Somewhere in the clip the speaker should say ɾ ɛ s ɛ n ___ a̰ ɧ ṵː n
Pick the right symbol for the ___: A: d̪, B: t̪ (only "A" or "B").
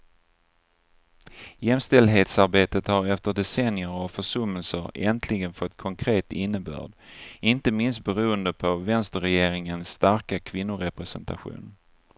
B